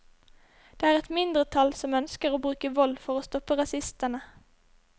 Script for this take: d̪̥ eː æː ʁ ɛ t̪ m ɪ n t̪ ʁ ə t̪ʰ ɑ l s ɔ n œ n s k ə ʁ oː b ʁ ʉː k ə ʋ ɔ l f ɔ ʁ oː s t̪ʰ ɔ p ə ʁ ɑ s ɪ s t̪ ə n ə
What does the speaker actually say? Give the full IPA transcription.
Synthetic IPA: d̪̥ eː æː ʁ ɛ t̪ m ɪ n d̪ ʁ ə t̪ʰ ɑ l s ɔ m œ n s k ə ʁ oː b ʁ ʉː k ə ʋ ɔ l f ɔ ʁ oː s t̪ ɔ p ə ʁ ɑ s ɪ s t̪ ə n ə